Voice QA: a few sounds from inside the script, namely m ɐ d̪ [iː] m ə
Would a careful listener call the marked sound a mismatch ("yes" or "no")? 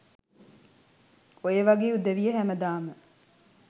yes